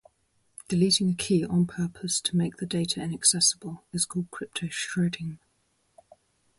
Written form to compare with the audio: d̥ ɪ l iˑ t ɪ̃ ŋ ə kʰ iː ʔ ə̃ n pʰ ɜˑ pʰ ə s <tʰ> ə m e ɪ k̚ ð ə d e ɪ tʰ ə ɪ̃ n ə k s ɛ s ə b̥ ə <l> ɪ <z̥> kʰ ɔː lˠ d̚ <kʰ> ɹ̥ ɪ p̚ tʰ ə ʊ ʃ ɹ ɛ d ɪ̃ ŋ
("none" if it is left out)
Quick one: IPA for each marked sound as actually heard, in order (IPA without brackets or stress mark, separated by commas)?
tʰ, l, z̥, kʰ